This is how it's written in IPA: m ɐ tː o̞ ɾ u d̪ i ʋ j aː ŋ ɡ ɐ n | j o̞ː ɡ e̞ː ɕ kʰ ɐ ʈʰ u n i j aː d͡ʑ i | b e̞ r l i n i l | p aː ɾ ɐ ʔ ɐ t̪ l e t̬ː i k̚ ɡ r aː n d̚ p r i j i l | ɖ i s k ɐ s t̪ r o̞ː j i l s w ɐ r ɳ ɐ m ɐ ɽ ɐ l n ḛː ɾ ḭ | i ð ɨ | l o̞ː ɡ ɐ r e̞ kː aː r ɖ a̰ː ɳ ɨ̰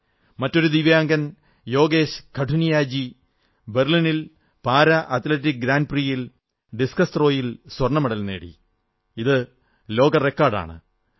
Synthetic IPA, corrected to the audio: m ɐ tː o̞ ɾ u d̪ i ʋ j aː ŋ ɡ ɐ n | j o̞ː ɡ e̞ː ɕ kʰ ɐ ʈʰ u n i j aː d͡ʑ i | b e̞ r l i n i l | p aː ɾ ɐ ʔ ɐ t̪ l e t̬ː i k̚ ɡ ɾ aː n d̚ p r i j i l | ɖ i s k ɐ s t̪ r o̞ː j i l s w ɐ r ɳ ɐ m ɐ ɽ ɐ l n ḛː ɽ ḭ | i ð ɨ | l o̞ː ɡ ɐ r e̞ kː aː r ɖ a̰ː ɳ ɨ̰

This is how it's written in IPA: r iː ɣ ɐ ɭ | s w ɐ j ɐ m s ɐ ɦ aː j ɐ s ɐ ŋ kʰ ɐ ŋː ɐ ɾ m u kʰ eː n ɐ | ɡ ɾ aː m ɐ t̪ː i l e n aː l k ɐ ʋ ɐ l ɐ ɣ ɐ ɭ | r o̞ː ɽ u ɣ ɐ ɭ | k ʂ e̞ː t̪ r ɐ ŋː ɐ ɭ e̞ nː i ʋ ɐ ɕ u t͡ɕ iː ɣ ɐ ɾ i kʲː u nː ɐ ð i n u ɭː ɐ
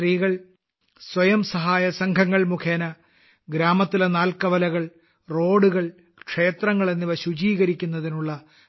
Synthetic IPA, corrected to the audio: r iː ɣ ɐ ɭ | s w ɐ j ɐ m s ɐ ɦ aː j ɐ s ɐ ŋ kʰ ɐ ŋː ɐ ɭ m u kʰ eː n ɐ | ɡ ɾ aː m ɐ t̪ː i l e n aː l k ɐ ʋ ɐ l ɐ ɣ ɐ ɭ | r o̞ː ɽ u ɣ ɐ ɭ | k ʂ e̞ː t̪ r ɐ ŋː ɐ ɭ e̞ nː i ʋ ɐ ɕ u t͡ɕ iː ɣ ɐ ɾ i kʲː u nː ɐ ð i n u ɭː ɐ

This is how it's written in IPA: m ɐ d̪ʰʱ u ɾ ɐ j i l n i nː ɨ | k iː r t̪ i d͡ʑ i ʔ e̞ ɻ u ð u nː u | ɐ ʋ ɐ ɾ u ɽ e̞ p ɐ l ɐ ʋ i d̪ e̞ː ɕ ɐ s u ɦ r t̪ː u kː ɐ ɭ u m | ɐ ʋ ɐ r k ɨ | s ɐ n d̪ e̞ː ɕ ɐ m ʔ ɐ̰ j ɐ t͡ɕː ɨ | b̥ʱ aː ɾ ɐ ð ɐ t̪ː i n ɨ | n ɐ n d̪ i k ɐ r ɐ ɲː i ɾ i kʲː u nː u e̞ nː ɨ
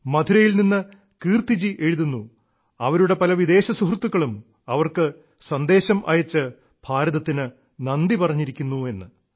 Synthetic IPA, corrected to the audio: m ɐ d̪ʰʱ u ɾ ɐ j i l n i nː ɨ | k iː r t̪ i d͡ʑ i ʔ e̞ ɻ u ð u nː u | ɐ ʋ ɐ ɾ u ɽ e̞ p ɐ l ɐ ʋ i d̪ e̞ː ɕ ɐ s u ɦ r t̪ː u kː ɐ ɭ u m | ɐ ʋ ɐ r k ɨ | s ɐ n d̪ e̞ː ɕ ɐ m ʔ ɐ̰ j ɐ t͡ɕː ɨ | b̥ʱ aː ɾ ɐ ð ɐ t̪ː i n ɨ | n ɐ n d̪ i p ɐ r ɐ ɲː i ɾ i kʲː u nː u e̞ nː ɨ

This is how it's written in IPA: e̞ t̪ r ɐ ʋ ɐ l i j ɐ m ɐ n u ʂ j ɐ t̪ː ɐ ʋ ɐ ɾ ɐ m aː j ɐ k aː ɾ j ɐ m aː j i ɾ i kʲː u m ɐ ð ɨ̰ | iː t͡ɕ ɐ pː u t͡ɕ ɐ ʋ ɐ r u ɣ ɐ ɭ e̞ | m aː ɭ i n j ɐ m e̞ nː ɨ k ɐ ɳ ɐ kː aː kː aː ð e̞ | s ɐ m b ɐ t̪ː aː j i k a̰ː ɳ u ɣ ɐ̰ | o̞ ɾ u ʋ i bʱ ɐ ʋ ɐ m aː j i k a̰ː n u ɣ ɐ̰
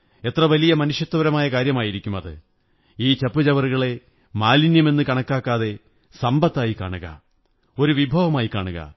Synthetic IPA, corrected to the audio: e̞ t̪ r ɐ ʋ ɐ l i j ɐ m ɐ n u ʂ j ɐ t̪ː ɐ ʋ ɐ ɾ ɐ m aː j ɐ k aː ɾ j ɐ m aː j i ɾ i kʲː u m ɐ ð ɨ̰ | iː t͡ɕ ɐ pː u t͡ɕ ɐ ʋ ɐ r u ɣ ɐ ɭ e̞ | m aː l i n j ɐ m e̞ nː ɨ k ɐ ɳ ɐ kː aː kː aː ð e̞ | s ɐ m b ɐ t̪ː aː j i k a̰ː ɳ u ɣ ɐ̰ | o̞ ɾ u ʋ i bʱ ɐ ʋ ɐ m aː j i k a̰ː ɳ u ɣ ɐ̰

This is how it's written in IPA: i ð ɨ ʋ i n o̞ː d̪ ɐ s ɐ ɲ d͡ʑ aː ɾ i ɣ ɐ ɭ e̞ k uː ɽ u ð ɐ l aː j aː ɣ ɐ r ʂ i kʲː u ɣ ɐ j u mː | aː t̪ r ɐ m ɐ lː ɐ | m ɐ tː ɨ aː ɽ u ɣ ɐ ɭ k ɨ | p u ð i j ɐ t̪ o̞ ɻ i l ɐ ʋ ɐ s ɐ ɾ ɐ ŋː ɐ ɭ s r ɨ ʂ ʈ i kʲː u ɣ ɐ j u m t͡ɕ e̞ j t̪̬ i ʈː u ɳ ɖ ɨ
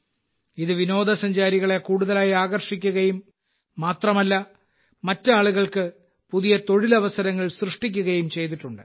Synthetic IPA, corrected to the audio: i ð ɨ ʋ i n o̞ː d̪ ɐ s ɐ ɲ d͡ʑ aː ɾ i ɣ ɐ ɭ e̞ k uː ɽ u ð ɐ l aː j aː ɣ ɐ r ʂ i kʲː u ɣ ɐ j u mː | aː t̪ r ɐ m ɐ lː ɐ | m ɐ tː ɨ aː ɭ u ɣ ɐ ɭ k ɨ | p u ð i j ɐ t̪ o̞ ɻ i l ɐ ʋ ɐ s ɐ ɾ ɐ ŋː ɐ ɭ s r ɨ ʂ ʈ i kʲː u ɣ ɐ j u m t͡ɕ e̞ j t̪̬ i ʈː u ɳ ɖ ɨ

